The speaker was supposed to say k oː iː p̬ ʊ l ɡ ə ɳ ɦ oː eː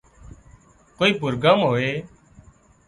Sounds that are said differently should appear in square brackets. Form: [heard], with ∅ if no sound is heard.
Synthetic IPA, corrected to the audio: k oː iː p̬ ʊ [ɾ] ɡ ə [m] ɦ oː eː